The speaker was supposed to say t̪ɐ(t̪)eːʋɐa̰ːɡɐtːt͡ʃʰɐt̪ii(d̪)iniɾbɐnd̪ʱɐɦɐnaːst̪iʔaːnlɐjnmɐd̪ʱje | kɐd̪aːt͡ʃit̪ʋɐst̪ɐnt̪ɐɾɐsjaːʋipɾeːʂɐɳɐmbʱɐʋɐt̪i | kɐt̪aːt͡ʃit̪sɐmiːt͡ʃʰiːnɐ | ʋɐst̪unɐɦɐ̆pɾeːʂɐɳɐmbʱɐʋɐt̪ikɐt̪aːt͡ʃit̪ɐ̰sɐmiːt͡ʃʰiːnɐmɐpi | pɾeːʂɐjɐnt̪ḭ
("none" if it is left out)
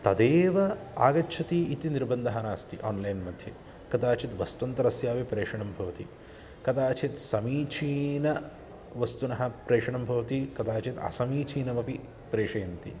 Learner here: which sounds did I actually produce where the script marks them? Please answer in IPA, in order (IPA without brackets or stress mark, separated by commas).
d̪, t̪